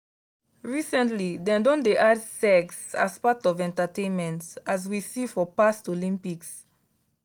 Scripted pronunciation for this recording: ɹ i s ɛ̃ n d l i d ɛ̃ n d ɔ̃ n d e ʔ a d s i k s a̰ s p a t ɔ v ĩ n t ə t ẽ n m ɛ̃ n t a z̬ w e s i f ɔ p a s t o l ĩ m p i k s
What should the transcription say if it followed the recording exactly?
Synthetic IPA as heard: ɹ i s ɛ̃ n t l i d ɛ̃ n d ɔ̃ n d e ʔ a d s ɛ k s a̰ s p a t ɔ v ɛ̃ n t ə t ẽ n m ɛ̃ n t a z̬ w i s i f ɔ p a s t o l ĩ m p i k s